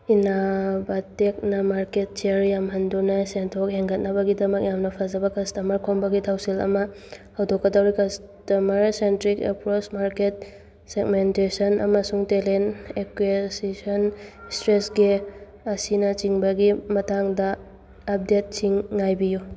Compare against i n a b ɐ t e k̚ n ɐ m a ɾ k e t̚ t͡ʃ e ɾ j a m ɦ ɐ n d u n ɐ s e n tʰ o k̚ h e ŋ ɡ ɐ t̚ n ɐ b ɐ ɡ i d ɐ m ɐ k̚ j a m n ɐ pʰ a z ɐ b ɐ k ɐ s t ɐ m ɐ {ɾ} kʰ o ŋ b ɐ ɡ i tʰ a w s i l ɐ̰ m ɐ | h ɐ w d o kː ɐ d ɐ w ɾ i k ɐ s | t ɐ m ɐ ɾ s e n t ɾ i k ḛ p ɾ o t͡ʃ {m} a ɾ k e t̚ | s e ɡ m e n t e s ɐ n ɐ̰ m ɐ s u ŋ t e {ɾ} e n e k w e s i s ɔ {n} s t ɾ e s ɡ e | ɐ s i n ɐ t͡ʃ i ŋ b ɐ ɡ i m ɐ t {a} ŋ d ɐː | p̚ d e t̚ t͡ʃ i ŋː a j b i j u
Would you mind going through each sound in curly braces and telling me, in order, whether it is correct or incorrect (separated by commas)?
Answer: correct, correct, incorrect, correct, correct